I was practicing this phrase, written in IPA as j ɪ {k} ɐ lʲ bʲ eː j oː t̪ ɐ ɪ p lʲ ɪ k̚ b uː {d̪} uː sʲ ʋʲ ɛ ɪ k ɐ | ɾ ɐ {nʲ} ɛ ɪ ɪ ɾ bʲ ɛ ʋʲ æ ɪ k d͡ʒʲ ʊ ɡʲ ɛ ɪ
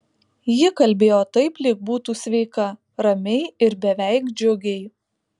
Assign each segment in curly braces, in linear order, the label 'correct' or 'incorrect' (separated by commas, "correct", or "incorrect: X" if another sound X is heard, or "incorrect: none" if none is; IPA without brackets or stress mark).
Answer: correct, incorrect: t̪, incorrect: mʲ